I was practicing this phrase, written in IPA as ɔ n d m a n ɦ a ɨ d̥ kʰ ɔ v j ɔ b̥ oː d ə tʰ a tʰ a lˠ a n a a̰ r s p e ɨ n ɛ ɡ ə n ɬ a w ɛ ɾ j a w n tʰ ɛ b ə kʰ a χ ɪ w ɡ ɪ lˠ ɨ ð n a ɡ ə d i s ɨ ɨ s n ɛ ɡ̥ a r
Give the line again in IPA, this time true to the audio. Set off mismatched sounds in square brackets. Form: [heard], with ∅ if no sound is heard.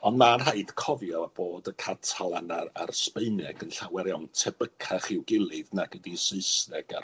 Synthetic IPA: ɔ n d m a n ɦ a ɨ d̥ kʰ ɔ v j ɔ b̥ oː d ə [kʰ] a tʰ a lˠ a n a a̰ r s p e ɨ n ɛ ɡ ə n ɬ a w ɛ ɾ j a w n tʰ ɛ b ə kʰ a χ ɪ w ɡ ɪ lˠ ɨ ð n a ɡ ə d i s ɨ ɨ s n ɛ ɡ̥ a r